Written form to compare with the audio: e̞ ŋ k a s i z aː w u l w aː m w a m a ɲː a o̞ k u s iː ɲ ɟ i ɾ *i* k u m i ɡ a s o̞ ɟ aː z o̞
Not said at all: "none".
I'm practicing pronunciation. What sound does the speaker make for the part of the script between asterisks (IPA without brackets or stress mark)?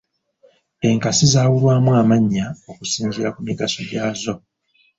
a